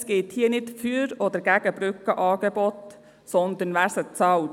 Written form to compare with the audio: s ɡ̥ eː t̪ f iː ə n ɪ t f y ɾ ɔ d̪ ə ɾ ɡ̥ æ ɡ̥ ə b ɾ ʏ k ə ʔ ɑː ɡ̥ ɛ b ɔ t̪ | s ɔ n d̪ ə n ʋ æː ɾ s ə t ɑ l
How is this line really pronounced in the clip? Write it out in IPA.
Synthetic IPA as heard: s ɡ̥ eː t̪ h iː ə n ɪ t f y ɾ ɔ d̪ ə ɾ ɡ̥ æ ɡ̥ ə b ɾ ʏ k ə ʔ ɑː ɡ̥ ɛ b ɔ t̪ | s ɔ n d̪ ə n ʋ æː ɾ s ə t͡s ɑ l